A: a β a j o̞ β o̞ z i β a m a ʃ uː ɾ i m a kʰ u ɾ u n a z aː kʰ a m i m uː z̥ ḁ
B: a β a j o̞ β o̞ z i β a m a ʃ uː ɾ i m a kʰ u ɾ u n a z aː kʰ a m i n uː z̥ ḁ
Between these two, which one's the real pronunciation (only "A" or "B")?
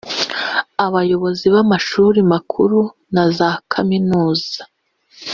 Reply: B